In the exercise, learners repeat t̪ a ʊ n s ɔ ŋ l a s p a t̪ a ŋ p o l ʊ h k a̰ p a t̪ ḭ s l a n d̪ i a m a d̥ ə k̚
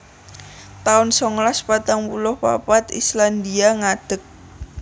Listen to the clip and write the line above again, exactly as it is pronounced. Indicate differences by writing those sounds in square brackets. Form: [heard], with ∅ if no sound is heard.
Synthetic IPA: t̪ a ʊ n s ɔ ŋ l a s p a t̪ a ŋ p [u] l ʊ h [p] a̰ p a t̪ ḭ s l a n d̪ i a [ŋ] a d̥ ə k̚